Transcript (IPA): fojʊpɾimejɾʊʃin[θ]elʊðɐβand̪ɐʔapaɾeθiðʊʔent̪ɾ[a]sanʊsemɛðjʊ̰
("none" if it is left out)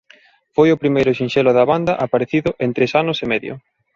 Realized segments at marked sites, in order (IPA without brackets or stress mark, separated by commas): ʃ, e